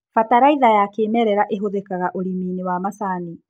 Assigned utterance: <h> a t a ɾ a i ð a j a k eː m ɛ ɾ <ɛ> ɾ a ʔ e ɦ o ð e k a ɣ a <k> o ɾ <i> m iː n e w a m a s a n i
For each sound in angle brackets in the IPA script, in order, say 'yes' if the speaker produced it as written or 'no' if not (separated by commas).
no, yes, no, yes